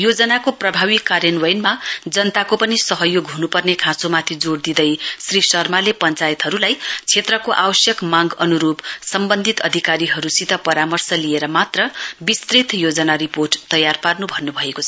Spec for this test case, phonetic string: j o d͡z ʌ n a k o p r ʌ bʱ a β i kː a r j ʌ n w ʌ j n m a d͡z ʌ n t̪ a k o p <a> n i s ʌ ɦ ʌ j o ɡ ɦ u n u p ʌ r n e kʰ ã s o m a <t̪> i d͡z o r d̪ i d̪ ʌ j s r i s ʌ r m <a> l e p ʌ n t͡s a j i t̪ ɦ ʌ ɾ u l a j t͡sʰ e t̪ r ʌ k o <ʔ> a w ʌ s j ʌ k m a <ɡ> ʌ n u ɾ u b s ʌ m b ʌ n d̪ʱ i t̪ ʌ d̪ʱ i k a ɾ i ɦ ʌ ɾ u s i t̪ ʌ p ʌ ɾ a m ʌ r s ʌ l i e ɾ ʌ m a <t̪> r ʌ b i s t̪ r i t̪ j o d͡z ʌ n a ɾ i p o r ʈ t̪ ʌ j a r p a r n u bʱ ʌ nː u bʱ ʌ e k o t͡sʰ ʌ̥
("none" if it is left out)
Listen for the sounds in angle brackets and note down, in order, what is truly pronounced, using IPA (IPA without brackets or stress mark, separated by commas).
ʌ, t̪ʰ, a, ʔ, ɡ, t̪